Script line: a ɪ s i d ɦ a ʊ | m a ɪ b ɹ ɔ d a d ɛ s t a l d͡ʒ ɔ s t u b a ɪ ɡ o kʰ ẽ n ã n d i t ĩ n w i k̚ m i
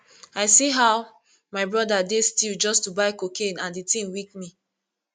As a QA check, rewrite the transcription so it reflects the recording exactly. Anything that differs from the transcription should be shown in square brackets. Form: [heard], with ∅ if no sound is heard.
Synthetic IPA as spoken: a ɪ s i [∅] ɦ a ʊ | m a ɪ b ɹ ɔ d a d [e] s t [i] l d͡ʒ ɔ s t u b a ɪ [k] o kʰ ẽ n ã n d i t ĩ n w i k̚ m i